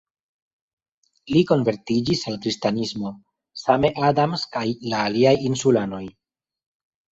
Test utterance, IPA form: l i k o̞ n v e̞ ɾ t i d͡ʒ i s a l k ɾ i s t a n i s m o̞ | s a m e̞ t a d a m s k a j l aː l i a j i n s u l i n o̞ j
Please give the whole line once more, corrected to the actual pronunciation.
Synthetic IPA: l i k o̞ n v e̞ ɾ t i d͡ʒ i s a l k ɾ i s t a n i s m o̞ | s a m e̞ ʔ a d a m s k a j l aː l i a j i n s u l a n o̞ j